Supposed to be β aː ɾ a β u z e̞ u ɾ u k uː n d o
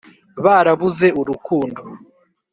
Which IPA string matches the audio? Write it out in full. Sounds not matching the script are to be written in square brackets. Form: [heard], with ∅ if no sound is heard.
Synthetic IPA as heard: β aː ɾ a β u z e̞ u ɾ u k uː n d o